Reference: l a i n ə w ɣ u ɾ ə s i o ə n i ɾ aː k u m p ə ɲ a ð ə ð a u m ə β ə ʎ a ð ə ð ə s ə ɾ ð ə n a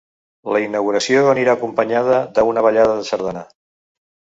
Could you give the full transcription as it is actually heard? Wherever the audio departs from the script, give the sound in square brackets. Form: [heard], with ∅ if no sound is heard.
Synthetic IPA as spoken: l [ə] i n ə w ɣ u ɾ ə s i o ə n i ɾ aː k u m p ə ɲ a ð ə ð [ə] u [n] ə β ə ʎ a ð ə ð ə s ə ɾ ð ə n a